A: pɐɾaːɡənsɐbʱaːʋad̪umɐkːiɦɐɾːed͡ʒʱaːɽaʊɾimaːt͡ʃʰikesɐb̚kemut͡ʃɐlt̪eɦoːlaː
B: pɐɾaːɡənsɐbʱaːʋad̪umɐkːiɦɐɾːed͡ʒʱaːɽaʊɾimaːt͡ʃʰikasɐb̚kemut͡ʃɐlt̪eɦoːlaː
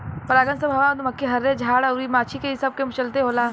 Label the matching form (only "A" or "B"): A